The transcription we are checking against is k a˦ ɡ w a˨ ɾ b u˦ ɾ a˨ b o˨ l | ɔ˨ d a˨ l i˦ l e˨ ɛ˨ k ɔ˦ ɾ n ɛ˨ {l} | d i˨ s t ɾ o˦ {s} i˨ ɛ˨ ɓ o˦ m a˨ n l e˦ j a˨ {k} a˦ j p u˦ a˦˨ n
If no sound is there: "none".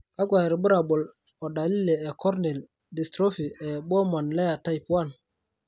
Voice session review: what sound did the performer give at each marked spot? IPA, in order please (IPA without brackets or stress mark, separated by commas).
l, f, t